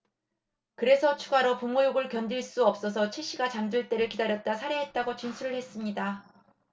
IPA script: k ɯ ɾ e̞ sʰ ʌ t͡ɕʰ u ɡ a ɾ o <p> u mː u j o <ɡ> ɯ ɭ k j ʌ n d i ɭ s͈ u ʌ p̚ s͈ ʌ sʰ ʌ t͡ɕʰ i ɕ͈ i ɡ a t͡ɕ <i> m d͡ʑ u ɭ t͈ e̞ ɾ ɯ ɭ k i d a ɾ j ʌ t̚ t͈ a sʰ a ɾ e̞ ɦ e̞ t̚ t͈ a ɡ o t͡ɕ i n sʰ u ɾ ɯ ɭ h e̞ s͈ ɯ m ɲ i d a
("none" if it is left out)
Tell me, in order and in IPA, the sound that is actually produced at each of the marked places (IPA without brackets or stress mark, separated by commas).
p, ɡ, a